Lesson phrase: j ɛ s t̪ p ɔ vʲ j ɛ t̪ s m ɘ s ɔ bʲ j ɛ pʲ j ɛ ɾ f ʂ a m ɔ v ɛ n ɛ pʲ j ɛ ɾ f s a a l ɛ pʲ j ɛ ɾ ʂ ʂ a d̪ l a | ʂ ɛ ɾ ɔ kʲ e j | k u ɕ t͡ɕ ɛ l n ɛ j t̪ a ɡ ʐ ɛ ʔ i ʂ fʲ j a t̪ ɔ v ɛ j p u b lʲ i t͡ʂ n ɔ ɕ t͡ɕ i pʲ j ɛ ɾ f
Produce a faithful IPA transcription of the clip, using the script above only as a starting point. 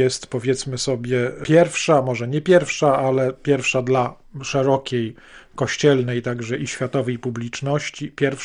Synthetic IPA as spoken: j ɛ s t̪ p ɔ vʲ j ɛ t̪ s m ɘ s ɔ bʲ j ɛ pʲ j ɛ ɾ f ʂ a m ɔ ʐ ɛ ɲ ɛ pʲ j ɛ ɾ f ʂ a a l ɛ pʲ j ɛ ɾ f ʂ a d̪ l a | ʂ ɛ ɾ ɔ kʲ e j | k ɔ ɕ t͡ɕ ɛ l n ɛ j t̪ a ɡ ʐ ɛ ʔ i ɕ fʲ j a t̪ ɔ v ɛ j p u b lʲ i t͡ʂ n ɔ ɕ t͡ɕ i pʲ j ɛ ɾ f